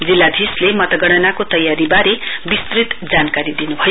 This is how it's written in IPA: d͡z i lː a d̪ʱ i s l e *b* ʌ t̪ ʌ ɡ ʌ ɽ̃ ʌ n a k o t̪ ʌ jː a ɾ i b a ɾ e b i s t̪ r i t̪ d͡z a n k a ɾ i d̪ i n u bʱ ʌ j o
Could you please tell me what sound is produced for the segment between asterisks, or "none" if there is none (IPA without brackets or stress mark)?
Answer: m